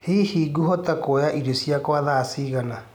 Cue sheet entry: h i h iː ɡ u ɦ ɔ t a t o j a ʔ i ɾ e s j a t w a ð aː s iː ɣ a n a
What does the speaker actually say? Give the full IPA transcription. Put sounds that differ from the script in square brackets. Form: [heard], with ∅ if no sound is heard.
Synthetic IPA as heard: h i h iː ɡ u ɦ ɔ t a [k] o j a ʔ i ɾ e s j a [k] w a ð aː s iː ɣ a n a